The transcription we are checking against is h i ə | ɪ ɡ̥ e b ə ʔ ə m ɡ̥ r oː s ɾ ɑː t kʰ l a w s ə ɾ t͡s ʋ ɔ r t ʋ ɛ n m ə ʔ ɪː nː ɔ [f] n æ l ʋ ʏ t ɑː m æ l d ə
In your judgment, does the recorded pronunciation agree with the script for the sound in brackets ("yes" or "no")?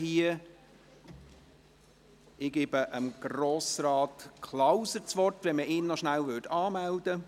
no